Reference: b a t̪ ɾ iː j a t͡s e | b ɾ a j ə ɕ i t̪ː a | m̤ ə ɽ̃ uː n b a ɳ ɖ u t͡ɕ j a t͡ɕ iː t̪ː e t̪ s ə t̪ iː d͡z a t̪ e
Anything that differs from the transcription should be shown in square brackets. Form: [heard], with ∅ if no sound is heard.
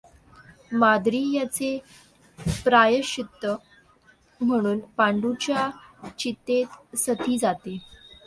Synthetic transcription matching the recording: [m] a [d̪] ɾ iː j a t͡s e | [p] ɾ a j ə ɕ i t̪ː [ə] | m̤ ə ɽ̃ uː n [p] a ɳ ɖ u t͡ɕ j a t͡ɕ [i] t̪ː e t̪ s ə t̪ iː d͡z a t̪ e